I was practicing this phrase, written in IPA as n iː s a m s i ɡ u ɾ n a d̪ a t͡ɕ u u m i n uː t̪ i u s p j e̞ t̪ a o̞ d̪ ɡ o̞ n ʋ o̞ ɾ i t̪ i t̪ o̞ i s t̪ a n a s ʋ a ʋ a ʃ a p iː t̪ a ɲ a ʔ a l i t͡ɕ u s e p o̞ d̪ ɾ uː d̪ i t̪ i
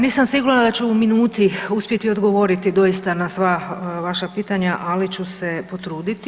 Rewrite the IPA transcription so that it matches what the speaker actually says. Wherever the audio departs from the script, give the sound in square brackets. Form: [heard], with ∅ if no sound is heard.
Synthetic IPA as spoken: n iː s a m s i ɡ u ɾ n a d̪ a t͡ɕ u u m i n uː t̪ i u s p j e̞ t̪ [i] o̞ d̪ ɡ o̞ [∅] ʋ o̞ ɾ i t̪ i [d̪] o̞ i s t̪ a n a s ʋ a ʋ a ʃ a p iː t̪ a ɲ a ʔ a l i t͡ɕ u s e p o̞ [t̪] ɾ uː d̪ i t̪ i